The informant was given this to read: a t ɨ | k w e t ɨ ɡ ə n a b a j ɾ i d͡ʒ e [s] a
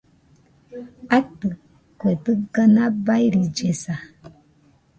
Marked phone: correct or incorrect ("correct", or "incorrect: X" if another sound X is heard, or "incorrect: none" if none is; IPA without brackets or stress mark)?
correct